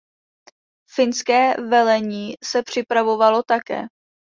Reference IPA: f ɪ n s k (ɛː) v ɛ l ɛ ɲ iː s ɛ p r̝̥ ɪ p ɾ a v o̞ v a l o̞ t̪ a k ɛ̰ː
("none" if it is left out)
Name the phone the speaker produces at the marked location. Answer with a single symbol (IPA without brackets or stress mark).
ɛː